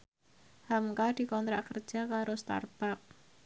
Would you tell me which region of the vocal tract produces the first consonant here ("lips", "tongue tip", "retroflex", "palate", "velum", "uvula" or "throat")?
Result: throat